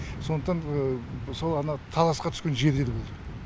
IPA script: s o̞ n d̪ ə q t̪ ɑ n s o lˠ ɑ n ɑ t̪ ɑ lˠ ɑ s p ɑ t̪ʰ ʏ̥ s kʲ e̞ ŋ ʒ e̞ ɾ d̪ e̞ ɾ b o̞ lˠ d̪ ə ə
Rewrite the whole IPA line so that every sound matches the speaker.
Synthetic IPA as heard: s o̞ n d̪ ə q t̪ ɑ n s o lˠ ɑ n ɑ t̪ʰ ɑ lˠ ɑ s q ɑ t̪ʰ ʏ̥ s kʲ e̞ n ʒ e̞ ɾ d̪ e̞ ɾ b o̞ lˠ d̪ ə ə